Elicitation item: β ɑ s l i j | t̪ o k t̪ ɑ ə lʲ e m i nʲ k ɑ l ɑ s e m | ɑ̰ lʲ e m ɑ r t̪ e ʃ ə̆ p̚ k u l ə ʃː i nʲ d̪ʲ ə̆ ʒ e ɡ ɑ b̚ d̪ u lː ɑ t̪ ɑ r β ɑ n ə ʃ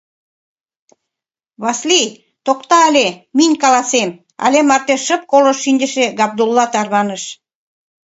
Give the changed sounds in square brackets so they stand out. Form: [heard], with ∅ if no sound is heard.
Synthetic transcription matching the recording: β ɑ s l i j | t̪ o k t̪ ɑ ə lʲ e m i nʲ k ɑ l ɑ s e m | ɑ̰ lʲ e m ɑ r t̪ e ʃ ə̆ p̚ k [o] l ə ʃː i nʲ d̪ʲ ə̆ [ʃ] e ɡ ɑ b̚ d̪ u lː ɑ t̪ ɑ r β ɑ n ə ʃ